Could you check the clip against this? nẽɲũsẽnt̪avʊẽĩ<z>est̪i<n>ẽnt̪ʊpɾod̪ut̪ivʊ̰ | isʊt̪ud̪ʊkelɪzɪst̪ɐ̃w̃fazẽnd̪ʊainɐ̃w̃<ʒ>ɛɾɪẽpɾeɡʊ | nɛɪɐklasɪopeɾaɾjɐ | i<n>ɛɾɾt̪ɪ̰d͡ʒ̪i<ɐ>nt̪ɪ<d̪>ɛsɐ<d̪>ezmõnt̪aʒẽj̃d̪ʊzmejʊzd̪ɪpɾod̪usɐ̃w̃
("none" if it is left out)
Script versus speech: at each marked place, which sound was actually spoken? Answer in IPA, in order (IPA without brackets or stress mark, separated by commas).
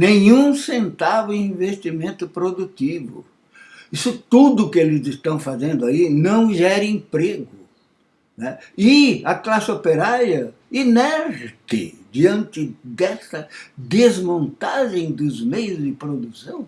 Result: v, m, ʒ, n, ɐ̃, d̪, d̪